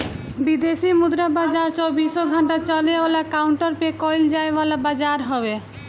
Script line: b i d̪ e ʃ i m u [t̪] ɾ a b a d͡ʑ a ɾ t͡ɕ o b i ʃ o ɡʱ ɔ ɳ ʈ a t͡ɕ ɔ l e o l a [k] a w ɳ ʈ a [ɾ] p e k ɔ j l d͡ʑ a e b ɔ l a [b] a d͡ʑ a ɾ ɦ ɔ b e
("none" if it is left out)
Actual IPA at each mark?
d̪, k, ɾ, b

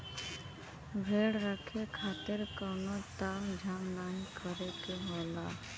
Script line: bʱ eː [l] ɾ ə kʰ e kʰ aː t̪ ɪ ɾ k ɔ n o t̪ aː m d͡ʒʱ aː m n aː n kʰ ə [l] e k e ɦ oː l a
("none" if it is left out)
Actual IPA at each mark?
ɽ, ɾ

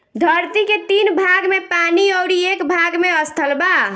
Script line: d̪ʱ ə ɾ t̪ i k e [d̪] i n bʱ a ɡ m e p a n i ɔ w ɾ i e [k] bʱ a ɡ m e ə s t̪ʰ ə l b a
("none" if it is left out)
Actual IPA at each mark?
t̪, k

